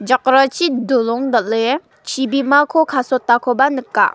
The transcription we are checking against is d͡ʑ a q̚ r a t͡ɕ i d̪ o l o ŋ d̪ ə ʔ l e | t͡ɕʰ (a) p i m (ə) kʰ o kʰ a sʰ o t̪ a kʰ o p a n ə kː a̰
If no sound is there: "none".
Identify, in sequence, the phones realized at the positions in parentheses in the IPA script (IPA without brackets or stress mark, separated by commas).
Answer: i, a